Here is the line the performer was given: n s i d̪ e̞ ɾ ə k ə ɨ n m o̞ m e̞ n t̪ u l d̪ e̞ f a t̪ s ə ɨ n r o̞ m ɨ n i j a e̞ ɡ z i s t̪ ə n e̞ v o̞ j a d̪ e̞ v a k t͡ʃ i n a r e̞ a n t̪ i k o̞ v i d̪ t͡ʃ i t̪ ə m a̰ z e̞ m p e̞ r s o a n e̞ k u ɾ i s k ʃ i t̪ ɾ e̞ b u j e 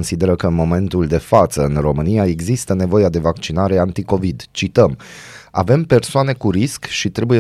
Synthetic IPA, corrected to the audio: n s i d̪ e̞ ɾ ə k ə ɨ n m o̞ m e̞ n t̪ u l d̪ e̞ f a t̪ s ə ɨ n r o̞ m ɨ n i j a e̞ ɡ z i s t̪ ə n e̞ v o̞ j a d̪ e̞ v a k t͡ʃ i n a ɾ e̞ a n t̪ i k o̞ v i d̪ t͡ʃ i t̪ ə m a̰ v e̞ m p e̞ r s o a n e̞ k u ɾ i s k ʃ i t̪ ɾ e̞ b u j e